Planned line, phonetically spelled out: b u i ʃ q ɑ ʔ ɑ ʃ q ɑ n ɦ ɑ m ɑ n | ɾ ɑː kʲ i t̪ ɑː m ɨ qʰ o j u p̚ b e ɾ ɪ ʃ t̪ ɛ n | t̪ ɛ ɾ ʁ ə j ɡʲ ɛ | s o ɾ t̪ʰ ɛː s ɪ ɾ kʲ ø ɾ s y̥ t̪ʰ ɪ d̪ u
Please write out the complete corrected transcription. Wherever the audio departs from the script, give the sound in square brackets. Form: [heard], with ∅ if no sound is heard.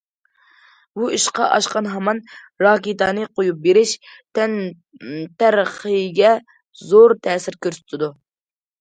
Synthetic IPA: b u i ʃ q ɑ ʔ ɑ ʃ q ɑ n ɦ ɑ m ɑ n | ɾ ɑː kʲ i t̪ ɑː [n] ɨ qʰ o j u p̚ b e ɾ ɪ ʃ t̪ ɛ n | t̪ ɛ ɾ [χ] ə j ɡʲ ɛ | [z] o ɾ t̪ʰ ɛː s ɪ ɾ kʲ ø ɾ s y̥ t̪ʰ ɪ d̪ u